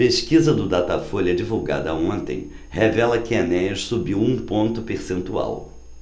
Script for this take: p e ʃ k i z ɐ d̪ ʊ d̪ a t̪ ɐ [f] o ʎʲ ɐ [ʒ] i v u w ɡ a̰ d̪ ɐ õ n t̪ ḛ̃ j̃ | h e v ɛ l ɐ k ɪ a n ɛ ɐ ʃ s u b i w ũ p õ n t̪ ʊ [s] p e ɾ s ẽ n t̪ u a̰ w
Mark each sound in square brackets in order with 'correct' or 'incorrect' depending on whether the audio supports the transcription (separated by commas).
correct, incorrect, incorrect